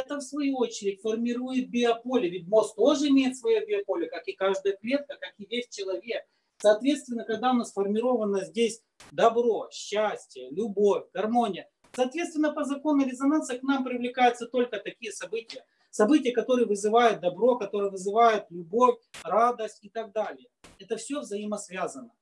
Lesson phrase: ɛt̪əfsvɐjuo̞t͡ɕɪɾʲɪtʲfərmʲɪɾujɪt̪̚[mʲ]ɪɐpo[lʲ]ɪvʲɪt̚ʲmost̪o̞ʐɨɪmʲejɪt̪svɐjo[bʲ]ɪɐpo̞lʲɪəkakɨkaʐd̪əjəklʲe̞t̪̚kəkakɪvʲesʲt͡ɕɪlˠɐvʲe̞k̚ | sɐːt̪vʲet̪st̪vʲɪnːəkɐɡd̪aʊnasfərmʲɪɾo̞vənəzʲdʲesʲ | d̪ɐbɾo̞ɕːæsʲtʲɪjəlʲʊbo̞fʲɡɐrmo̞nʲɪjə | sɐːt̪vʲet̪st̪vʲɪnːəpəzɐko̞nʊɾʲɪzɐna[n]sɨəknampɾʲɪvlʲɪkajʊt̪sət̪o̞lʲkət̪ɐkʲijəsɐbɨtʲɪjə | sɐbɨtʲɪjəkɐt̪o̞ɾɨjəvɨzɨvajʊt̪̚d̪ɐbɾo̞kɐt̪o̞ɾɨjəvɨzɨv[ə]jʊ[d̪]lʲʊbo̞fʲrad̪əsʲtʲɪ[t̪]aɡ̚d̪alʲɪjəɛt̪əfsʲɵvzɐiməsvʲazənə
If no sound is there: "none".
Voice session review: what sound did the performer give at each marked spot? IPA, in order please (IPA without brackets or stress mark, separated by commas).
bʲ, lʲ, bʲ, n, a, t̪, t̪